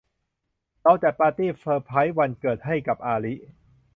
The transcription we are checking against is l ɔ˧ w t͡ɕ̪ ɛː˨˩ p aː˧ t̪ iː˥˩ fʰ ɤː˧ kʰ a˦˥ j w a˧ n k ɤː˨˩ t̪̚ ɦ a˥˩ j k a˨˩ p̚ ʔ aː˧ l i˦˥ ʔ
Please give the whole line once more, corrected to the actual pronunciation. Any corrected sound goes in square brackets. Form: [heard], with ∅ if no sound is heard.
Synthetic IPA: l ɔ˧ w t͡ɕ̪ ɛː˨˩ p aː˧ t̪ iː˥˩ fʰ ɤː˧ [pʰ] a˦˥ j w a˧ n k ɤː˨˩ t̪̚ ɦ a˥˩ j k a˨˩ p̚ ʔ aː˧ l i˦˥ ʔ